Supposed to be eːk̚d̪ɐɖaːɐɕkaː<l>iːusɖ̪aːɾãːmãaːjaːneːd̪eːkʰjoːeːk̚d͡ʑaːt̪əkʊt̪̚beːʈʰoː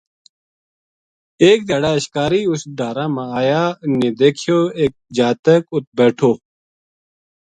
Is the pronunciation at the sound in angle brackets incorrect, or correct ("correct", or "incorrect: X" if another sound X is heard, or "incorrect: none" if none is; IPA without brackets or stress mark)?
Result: incorrect: ɾ